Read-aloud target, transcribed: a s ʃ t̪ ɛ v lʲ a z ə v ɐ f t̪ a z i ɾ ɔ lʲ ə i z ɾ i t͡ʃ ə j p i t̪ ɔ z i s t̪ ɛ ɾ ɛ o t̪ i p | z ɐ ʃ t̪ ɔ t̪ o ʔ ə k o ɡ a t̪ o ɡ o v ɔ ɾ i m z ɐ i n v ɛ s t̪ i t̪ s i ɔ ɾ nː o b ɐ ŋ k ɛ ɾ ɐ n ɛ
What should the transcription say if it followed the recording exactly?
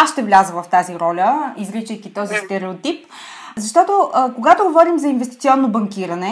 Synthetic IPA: a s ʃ t̪ ɛ v lʲ a z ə v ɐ f t̪ a z i ɾ ɔ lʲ ə i z ɾ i t͡ʃ ə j k i t̪ ɔ z i s t̪ ɛ ɾ ɛ o t̪ i p | z ɐ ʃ t̪ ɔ t̪ o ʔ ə k o ɡ a t̪ o ɡ o v ɔ ɾ i m z ɐ i n v ɛ s t̪ i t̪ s i ɔ nː o b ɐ ŋ k i ɾ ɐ n ɛ